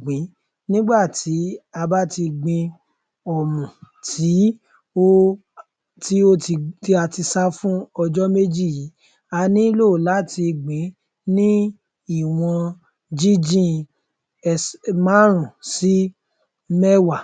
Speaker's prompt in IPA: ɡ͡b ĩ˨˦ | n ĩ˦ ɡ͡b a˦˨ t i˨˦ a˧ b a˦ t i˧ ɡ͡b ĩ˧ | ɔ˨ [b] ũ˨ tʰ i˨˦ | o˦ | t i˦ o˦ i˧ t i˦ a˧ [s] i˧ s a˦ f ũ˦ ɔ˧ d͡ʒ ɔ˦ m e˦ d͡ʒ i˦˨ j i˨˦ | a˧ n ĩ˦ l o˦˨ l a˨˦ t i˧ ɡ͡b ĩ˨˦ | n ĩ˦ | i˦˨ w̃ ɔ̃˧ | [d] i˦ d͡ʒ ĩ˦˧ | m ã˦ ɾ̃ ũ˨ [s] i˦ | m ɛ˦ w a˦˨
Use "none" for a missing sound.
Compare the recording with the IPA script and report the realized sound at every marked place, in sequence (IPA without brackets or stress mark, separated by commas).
m, t, d͡ʒ, s